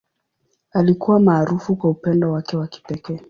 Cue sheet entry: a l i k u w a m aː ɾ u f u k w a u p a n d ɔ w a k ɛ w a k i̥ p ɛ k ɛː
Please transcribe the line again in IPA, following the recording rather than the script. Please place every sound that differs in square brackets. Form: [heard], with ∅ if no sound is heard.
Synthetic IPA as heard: a l i k u w a m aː ɾ u f u k w a u p [ɛ] n d ɔ w a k ɛ w a k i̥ p ɛ k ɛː